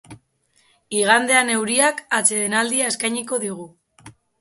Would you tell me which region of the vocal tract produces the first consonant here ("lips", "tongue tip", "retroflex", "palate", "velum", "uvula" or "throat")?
velum